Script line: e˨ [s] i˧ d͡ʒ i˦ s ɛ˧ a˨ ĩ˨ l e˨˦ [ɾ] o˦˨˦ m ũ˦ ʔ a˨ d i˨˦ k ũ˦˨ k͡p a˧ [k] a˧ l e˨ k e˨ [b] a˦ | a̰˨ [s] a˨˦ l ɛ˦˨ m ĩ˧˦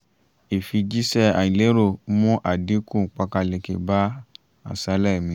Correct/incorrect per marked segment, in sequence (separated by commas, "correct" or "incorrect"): incorrect, correct, correct, correct, correct